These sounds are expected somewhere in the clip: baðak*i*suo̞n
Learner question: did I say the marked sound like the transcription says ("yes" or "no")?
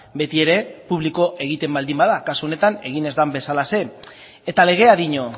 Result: no